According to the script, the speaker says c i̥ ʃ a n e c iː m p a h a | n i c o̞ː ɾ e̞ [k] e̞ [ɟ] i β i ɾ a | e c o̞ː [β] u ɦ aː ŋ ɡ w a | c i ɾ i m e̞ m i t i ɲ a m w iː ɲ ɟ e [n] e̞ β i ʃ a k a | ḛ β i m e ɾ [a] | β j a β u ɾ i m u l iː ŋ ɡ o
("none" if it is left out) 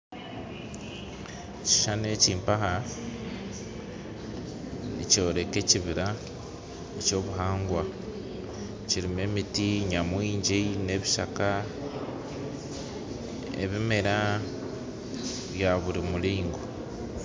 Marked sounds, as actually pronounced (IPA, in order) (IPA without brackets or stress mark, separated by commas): k, c, β, n, a